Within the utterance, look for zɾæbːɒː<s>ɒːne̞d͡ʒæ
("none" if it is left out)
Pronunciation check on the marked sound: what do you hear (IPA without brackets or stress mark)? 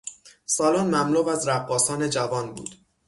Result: s